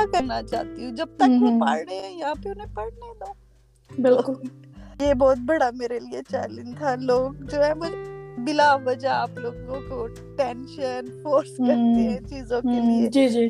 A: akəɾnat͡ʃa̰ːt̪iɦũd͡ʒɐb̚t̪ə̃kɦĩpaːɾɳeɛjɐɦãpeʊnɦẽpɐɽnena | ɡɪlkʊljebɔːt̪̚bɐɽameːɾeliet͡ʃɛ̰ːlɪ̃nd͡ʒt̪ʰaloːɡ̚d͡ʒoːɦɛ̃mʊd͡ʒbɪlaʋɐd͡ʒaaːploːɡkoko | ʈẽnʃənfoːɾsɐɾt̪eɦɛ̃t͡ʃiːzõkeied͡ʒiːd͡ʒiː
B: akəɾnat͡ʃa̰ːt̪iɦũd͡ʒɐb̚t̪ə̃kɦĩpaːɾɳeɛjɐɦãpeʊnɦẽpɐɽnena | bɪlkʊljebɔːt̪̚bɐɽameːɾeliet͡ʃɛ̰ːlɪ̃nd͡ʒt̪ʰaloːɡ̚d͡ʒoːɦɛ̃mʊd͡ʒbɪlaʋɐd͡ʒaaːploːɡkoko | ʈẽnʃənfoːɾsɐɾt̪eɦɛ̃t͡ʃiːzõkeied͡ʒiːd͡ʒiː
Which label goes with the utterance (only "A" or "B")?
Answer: B